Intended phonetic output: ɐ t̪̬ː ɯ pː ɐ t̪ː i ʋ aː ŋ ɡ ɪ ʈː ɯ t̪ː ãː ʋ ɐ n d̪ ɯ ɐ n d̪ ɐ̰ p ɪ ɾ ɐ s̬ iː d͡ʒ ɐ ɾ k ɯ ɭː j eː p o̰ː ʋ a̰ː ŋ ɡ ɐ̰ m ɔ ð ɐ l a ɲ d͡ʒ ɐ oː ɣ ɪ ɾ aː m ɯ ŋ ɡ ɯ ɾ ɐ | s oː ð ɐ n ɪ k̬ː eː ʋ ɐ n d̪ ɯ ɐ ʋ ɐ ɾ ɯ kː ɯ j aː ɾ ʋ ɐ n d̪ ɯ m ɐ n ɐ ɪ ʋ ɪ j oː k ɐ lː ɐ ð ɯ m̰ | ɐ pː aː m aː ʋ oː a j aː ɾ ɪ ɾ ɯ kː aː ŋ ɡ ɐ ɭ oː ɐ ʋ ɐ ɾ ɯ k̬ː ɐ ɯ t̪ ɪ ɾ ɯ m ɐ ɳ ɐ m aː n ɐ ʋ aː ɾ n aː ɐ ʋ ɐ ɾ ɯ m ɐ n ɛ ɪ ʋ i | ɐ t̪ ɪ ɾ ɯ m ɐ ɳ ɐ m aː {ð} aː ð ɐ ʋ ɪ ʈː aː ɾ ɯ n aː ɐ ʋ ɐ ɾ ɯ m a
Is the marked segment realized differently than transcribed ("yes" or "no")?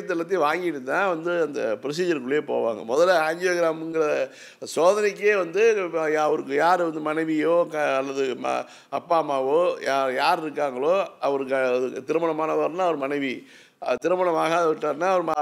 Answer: yes